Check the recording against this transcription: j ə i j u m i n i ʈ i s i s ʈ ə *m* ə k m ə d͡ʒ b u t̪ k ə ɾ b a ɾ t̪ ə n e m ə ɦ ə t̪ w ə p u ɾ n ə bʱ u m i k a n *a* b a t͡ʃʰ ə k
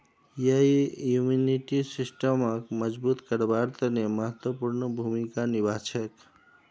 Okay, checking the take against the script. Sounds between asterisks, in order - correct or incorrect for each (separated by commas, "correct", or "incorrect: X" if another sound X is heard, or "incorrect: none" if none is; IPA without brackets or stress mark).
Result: correct, incorrect: i